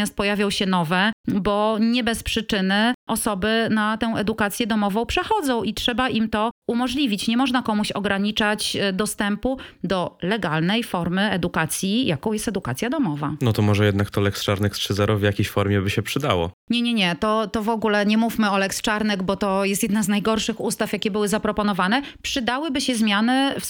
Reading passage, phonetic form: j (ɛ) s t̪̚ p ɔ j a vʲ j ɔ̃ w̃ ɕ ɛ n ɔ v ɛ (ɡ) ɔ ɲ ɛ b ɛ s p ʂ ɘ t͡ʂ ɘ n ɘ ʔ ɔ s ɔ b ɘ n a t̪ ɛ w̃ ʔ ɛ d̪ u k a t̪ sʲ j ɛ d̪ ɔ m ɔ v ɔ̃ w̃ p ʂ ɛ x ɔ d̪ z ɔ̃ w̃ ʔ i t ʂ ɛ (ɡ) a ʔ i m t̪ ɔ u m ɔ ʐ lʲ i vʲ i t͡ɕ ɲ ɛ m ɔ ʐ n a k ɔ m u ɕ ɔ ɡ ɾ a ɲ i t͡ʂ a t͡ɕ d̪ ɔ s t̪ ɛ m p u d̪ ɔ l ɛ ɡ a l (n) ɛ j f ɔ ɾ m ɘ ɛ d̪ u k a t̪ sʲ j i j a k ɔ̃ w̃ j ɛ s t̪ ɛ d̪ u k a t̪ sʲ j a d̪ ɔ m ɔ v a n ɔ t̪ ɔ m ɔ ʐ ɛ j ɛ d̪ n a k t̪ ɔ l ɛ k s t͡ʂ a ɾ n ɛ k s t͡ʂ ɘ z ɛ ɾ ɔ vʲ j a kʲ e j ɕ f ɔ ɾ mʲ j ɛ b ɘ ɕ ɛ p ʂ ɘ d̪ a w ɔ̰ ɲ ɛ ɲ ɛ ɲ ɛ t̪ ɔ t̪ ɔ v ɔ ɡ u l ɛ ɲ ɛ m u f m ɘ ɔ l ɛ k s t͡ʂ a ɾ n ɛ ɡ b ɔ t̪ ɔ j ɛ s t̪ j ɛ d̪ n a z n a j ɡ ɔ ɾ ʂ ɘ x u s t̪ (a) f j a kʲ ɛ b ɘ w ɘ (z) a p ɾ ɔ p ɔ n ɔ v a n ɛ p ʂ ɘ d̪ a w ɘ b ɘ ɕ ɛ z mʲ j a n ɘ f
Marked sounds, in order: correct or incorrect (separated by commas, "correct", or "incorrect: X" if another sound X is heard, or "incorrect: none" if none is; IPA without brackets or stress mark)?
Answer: incorrect: a, incorrect: b, incorrect: b, correct, correct, correct